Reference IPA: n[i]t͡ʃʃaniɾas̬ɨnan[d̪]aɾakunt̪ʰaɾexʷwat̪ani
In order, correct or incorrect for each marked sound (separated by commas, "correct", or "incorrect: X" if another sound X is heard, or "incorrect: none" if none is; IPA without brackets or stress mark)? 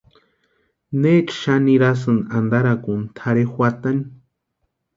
incorrect: e, correct